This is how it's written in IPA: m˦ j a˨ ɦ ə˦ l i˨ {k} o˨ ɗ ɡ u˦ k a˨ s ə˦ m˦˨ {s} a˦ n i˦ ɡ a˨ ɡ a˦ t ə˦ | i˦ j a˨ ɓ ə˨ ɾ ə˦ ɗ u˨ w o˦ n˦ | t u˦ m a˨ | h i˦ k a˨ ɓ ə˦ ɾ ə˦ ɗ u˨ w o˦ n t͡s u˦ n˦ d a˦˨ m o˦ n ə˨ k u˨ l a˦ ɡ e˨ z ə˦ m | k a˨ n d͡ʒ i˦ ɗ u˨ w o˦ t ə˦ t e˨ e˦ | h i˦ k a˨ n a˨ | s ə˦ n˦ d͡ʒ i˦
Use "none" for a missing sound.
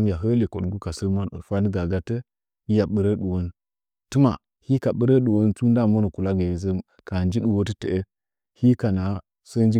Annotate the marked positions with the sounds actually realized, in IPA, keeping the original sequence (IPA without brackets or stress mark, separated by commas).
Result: k, f